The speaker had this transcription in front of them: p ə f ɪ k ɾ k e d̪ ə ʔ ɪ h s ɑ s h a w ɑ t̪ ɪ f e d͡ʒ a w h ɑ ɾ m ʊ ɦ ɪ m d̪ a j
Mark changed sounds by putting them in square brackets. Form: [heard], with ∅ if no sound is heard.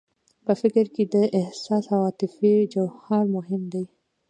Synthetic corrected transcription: p ə f ɪ k ɾ k e d̪ ə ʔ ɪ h s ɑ s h a w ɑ t̪ ɪ f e d͡ʒ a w h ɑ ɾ m ʊ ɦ ɪ m d̪ a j